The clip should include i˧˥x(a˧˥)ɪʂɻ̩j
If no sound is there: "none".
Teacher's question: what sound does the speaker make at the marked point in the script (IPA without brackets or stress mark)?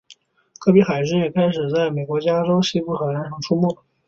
a˨˩